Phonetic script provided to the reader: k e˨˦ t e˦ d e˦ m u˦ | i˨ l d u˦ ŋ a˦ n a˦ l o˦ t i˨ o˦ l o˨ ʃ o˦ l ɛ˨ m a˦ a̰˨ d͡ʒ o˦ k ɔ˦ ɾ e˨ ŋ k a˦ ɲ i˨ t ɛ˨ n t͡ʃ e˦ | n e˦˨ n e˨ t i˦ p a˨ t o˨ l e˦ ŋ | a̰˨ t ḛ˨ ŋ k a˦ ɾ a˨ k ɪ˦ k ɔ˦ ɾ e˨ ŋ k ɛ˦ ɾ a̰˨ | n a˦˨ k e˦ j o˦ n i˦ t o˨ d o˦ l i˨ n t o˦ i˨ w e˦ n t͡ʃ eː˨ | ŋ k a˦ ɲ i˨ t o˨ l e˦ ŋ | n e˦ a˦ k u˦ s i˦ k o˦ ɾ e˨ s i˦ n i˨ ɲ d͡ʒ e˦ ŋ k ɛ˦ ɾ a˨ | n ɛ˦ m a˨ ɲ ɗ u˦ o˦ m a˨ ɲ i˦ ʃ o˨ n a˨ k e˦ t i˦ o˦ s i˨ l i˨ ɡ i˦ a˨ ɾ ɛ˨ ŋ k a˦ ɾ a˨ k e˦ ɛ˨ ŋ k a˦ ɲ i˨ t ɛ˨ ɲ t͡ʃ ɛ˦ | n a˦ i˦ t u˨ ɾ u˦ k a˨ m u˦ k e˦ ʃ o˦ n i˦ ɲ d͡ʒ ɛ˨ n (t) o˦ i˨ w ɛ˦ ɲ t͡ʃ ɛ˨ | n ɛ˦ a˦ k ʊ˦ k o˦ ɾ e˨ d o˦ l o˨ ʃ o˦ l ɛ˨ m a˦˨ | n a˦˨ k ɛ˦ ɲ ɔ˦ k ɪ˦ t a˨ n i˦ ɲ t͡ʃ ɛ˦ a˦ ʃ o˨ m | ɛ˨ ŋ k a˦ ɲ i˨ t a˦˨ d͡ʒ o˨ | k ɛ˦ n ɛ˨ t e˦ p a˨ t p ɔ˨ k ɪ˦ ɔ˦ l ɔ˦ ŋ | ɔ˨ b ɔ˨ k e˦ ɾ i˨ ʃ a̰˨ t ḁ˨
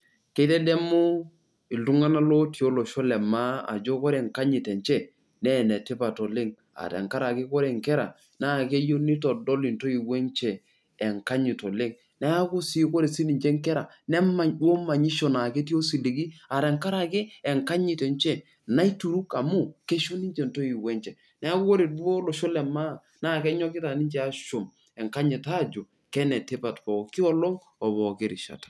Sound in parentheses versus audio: correct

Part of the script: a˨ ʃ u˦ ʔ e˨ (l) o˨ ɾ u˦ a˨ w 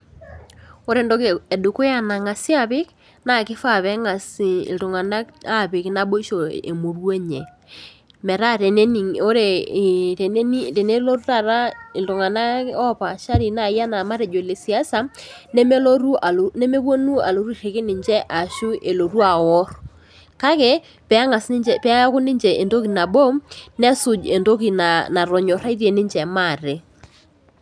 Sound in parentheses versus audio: correct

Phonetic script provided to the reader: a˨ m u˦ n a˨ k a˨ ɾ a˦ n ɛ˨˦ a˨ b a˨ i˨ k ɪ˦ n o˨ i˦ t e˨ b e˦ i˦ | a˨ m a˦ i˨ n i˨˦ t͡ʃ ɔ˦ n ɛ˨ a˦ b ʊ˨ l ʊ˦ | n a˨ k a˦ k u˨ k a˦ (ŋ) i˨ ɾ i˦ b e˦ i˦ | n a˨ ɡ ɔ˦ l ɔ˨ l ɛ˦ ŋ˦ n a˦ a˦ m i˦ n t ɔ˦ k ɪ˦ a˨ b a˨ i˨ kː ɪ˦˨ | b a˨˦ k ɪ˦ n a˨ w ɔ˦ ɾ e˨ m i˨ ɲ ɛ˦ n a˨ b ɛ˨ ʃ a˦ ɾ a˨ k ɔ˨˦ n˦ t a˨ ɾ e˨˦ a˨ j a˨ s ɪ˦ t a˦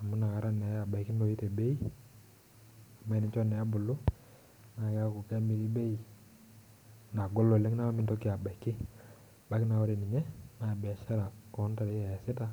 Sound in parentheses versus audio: incorrect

